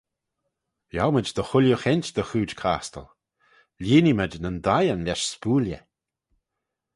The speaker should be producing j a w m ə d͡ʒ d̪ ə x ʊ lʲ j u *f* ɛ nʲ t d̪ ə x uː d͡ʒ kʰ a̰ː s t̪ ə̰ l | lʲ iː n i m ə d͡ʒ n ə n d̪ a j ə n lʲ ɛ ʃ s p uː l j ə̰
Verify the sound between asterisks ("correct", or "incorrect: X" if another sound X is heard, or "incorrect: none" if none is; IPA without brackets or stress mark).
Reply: incorrect: x